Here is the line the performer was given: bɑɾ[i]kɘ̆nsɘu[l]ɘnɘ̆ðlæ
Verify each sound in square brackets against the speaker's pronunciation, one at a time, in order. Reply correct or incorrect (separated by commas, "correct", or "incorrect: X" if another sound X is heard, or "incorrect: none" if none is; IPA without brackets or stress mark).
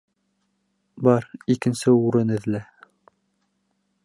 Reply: correct, incorrect: ɾ